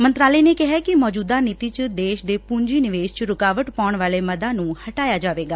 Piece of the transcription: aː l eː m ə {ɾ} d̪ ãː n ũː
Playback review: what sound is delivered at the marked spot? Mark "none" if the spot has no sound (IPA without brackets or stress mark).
none